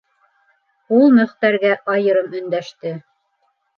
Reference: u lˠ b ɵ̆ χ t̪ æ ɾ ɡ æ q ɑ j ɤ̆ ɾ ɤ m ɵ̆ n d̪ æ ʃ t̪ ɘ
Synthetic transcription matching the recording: u lˠ m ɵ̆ χ t̪ æ ɾ ɡ æ ʔ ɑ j ɤ̆ ɾ ɤ m ɵ̆ n d̪ æ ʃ t̪ ɘ